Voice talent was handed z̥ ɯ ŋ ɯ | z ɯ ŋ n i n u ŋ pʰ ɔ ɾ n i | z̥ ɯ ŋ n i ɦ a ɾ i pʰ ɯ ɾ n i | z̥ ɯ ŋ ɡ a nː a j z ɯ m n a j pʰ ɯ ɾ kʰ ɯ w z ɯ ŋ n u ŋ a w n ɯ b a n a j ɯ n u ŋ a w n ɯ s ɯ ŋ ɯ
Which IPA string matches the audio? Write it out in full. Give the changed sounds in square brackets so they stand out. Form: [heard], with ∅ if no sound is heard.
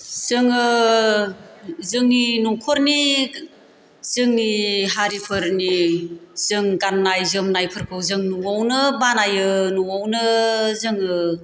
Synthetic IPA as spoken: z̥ ɯ ŋ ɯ | z ɯ ŋ n i n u ŋ [kʰ] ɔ ɾ n i | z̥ ɯ ŋ n i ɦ a ɾ i pʰ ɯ ɾ n i | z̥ ɯ ŋ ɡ a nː a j z ɯ m n a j pʰ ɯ ɾ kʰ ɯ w z ɯ ŋ n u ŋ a w n ɯ b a n a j ɯ n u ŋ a w n ɯ [z] ɯ ŋ ɯ